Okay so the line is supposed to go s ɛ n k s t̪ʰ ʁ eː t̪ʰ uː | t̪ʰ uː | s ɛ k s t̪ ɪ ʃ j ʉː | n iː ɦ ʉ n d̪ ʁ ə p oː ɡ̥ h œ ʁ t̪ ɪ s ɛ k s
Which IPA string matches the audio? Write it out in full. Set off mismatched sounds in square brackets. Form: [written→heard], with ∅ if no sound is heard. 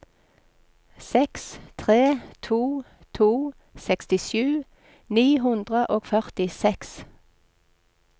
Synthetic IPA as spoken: s ɛ [n→∅] k s t̪ʰ ʁ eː t̪ʰ uː | t̪ʰ uː | s ɛ k s t̪ ɪ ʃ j ʉː | n iː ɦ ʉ n d̪ ʁ ə [p→ʔ] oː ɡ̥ [h→f] œ ʁ t̪ ɪ s ɛ k s